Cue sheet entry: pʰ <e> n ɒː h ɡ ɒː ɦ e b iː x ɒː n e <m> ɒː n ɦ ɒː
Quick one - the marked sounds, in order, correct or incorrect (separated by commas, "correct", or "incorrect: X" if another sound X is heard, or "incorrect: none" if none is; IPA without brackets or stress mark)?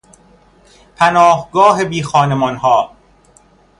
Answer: incorrect: æ, correct